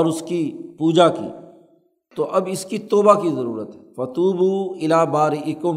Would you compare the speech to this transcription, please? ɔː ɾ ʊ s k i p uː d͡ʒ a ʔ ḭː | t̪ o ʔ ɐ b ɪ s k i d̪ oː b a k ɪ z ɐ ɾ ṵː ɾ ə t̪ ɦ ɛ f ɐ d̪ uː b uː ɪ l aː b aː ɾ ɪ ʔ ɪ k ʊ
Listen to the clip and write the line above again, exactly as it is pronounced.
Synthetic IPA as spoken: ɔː ɾ ʊ s k i p uː d͡ʒ a k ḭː | t̪ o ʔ ɐ b ɪ s k i t̪ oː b a k i z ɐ ɾ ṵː ɾ ə t̪ ɦ ɛ f ɐ t̪ uː b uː ɪ l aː b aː ɾ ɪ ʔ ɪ k ʊ